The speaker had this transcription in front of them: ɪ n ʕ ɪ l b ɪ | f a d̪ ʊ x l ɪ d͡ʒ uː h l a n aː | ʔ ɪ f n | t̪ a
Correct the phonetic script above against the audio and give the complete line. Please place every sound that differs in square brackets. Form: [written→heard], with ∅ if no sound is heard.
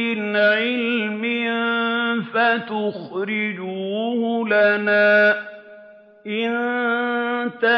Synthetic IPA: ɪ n ʕ ɪ l [b→m] ɪ | f a [d̪→t̪] ʊ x [l→ɾ] ɪ d͡ʒ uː h l a n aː | ʔ ɪ [f→∅] n | t̪ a